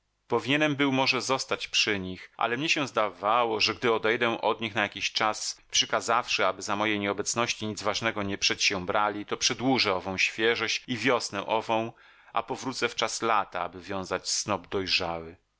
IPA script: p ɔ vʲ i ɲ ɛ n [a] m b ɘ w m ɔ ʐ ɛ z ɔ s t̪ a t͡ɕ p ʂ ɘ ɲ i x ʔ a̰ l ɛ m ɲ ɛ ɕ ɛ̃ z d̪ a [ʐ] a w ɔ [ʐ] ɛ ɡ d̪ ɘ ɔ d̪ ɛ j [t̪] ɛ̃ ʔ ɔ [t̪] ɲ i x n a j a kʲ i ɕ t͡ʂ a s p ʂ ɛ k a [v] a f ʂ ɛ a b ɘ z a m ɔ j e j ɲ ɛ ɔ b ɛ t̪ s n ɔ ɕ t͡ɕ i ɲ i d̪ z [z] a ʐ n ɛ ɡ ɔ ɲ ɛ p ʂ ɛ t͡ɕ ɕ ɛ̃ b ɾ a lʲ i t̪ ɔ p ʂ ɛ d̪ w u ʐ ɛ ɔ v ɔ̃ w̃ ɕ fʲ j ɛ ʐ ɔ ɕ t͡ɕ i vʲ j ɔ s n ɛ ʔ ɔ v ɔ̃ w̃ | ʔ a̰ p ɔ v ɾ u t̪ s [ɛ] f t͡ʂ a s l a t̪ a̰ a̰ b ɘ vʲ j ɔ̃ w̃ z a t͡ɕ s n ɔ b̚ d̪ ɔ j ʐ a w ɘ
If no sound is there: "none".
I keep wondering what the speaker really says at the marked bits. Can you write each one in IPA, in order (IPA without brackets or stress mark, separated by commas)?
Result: ɛ, v, ʐ, d̪, d̪, z, v, ɛ